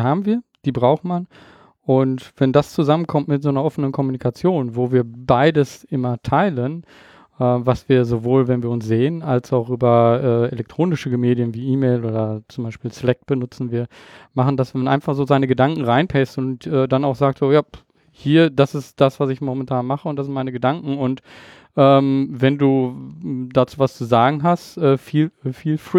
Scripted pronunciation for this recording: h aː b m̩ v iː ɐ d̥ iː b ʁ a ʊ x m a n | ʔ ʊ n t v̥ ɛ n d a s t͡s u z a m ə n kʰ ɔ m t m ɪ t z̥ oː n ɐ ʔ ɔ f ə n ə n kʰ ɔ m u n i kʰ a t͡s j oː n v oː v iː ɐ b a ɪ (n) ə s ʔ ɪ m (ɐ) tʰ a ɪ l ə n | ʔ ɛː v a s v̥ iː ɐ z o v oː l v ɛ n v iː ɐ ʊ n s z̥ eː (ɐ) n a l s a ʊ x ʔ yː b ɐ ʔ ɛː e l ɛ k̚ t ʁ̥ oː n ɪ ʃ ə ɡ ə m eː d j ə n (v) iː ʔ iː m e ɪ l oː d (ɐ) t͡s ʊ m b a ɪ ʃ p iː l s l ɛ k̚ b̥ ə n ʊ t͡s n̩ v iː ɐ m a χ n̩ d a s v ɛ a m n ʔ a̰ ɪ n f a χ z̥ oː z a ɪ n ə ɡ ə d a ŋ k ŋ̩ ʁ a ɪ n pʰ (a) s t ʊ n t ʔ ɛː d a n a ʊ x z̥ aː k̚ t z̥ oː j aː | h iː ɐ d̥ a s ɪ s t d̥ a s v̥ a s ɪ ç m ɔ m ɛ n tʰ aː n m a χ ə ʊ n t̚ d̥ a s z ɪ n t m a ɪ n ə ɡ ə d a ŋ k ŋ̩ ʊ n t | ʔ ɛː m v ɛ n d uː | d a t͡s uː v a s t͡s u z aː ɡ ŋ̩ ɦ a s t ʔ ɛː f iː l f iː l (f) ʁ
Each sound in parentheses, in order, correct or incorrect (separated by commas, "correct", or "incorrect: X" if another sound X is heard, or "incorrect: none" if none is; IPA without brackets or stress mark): incorrect: d, correct, incorrect: ə, correct, correct, incorrect: ɛ, correct